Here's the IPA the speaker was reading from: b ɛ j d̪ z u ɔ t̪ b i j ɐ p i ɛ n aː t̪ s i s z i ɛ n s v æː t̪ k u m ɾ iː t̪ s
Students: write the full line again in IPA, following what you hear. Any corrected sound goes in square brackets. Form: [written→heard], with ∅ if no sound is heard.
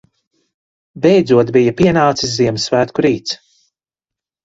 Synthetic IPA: b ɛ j d̪ z u ɔ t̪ b i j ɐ p i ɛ n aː t̪ s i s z i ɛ [n→m] s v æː t̪ k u [m→∅] ɾ iː t̪ s